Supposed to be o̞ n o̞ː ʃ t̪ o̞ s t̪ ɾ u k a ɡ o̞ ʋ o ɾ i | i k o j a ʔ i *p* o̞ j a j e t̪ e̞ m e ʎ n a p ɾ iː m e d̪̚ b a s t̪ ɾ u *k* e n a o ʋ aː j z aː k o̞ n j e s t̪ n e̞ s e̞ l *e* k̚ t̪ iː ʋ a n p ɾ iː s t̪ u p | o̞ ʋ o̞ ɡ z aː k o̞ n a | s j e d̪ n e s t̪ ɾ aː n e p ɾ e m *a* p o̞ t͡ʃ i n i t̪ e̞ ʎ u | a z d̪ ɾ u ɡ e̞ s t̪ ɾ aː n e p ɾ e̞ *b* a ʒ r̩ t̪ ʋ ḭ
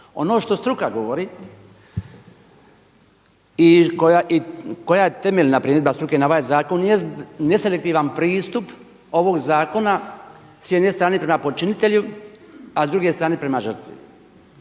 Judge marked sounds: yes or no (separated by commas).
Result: no, yes, yes, yes, no